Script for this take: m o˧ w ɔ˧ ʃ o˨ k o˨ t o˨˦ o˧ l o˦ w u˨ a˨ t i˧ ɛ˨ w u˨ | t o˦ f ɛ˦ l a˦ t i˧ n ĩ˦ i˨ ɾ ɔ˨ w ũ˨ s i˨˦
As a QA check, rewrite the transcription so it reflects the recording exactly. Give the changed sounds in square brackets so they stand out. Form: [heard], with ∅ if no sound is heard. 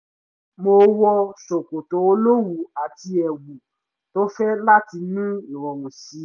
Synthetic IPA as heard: m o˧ w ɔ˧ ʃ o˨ k o˨ t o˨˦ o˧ l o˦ w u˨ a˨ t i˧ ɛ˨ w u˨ | t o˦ f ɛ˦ l a˦ t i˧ n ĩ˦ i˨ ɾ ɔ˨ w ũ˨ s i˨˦